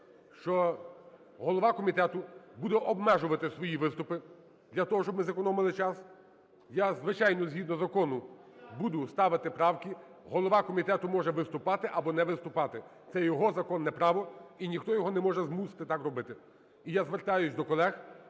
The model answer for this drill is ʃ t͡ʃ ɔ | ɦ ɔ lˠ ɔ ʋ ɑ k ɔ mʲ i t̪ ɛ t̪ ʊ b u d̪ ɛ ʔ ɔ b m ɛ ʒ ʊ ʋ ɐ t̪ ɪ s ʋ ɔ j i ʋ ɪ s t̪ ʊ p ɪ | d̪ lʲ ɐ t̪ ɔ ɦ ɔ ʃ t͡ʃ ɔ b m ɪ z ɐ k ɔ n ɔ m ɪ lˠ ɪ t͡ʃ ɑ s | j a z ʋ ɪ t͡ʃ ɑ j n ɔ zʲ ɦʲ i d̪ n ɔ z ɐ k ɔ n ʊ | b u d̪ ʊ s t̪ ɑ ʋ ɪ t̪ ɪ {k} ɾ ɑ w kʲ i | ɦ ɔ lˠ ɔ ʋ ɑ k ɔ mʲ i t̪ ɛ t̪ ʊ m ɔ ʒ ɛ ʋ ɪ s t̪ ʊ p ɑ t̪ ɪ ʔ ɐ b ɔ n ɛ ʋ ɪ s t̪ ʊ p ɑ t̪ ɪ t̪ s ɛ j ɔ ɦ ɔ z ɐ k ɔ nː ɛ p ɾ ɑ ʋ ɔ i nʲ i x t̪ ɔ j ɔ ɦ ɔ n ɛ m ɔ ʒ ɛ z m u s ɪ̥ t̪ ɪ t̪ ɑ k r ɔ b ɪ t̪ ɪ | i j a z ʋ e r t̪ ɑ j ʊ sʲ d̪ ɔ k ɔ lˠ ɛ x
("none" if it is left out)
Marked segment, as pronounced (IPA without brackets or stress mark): p